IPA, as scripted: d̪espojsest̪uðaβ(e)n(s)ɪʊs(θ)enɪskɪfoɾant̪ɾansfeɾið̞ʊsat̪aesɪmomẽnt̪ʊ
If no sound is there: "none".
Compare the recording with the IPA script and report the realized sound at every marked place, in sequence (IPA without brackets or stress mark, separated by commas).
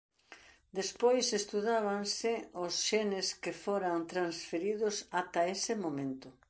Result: a, s, ʃ